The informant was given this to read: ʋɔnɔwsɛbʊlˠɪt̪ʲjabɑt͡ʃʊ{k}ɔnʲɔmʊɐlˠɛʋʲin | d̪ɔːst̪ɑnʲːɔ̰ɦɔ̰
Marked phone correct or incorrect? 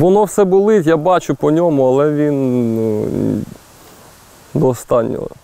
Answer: incorrect